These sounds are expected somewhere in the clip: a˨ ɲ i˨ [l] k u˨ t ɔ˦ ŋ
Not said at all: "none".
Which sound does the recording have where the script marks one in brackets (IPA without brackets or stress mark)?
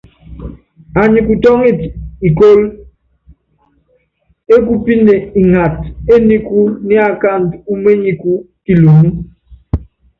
none